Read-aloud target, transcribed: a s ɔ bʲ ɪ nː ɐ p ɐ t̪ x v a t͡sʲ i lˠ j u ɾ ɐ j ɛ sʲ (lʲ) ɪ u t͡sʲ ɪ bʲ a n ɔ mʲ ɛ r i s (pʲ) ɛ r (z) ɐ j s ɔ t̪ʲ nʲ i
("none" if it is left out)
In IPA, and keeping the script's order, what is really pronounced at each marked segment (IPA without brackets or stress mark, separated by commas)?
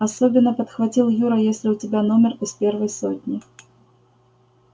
lʲ, pʲ, v